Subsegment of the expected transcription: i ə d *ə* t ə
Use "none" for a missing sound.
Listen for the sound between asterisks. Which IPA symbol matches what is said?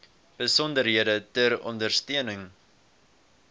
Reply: ə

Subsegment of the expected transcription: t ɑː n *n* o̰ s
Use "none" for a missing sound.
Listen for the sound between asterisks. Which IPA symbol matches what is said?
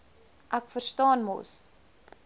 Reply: m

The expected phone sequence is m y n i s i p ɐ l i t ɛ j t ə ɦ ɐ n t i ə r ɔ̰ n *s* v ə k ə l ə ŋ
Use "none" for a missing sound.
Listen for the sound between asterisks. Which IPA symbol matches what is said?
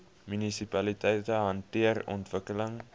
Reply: t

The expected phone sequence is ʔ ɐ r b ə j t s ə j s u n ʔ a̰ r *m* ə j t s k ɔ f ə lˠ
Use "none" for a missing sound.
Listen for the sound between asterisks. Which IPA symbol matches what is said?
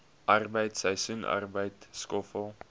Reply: b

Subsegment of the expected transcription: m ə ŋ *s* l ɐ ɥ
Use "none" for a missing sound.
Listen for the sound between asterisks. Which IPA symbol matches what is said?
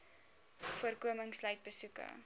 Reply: s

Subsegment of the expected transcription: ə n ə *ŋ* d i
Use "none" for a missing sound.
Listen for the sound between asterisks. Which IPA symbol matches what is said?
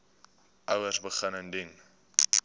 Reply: n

